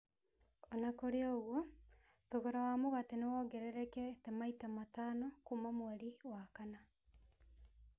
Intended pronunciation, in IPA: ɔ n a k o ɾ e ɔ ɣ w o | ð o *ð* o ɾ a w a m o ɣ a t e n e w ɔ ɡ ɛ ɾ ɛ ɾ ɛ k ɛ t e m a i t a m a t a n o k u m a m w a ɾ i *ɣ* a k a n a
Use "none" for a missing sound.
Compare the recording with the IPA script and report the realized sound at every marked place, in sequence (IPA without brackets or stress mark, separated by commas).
ɣ, w